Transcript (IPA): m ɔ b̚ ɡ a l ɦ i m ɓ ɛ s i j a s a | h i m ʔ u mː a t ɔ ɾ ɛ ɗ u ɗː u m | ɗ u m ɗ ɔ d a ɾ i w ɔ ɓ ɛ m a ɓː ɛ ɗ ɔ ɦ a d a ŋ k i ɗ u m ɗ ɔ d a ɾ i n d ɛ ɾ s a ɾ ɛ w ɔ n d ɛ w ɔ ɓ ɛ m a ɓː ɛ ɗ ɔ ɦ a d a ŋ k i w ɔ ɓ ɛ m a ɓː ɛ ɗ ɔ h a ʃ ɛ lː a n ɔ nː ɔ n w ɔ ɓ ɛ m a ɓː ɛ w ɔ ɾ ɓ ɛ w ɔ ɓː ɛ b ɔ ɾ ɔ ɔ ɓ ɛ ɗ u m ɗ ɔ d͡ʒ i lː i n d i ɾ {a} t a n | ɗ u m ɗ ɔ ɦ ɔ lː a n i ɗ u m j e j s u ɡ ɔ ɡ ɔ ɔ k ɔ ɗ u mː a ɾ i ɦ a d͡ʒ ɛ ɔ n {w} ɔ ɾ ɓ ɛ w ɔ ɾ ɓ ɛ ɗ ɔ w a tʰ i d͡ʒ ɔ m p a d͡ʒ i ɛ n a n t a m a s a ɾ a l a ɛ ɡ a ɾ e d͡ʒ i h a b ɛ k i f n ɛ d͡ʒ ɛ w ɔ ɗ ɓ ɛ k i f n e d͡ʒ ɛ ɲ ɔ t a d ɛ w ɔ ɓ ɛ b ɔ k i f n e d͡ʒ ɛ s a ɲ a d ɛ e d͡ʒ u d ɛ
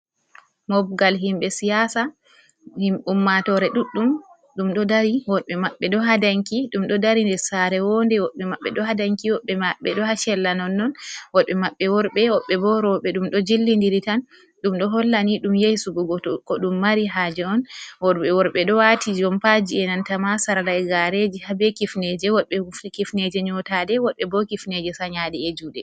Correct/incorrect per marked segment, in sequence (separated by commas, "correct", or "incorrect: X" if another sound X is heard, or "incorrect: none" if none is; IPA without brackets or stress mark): incorrect: i, correct